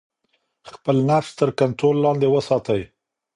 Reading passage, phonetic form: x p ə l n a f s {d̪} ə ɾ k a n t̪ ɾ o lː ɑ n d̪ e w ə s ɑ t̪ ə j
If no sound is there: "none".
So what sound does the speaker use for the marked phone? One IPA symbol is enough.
t̪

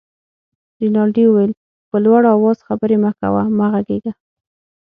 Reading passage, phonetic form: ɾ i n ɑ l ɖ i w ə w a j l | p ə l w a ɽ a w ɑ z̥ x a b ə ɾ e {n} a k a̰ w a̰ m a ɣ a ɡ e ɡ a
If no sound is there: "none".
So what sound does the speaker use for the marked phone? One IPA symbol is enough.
m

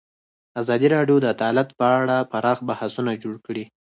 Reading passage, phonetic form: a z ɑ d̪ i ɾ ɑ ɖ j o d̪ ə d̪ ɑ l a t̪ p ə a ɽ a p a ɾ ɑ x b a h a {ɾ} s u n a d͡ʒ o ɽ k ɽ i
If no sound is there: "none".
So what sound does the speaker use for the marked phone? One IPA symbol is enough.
none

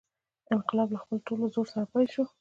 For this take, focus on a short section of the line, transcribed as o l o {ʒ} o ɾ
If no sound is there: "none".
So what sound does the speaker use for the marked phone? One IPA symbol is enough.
z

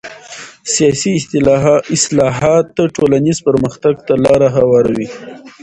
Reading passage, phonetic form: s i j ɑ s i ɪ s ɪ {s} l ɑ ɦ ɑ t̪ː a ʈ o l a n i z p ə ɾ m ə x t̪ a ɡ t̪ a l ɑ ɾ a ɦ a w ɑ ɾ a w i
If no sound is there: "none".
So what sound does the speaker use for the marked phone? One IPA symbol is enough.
s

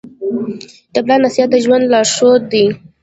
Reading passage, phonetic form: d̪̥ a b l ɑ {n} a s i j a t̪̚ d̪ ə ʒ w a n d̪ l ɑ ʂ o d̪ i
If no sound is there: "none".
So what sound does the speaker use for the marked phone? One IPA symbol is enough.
n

